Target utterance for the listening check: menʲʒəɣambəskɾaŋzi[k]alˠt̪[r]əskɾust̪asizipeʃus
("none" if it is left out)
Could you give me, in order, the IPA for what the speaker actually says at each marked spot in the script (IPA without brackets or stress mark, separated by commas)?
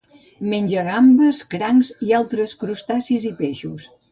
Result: none, ɾ